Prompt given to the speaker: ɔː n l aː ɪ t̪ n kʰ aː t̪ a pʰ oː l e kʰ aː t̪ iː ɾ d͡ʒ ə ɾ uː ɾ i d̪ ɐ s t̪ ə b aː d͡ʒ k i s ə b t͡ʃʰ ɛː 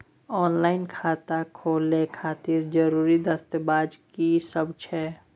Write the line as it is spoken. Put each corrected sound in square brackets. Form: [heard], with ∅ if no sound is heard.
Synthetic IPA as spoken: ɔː n l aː ɪ [∅] n kʰ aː t̪ a [kʰ] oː l e kʰ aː t̪ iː ɾ d͡ʒ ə ɾ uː ɾ i d̪ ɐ s t̪ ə b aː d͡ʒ k i s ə b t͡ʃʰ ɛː